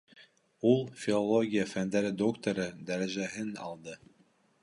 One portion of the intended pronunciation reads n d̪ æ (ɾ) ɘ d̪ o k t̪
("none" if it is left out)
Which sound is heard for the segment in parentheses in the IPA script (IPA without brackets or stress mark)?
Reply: ɾ